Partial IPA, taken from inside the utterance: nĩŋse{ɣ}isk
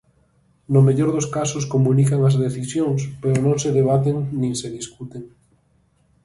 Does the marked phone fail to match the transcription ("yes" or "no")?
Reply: yes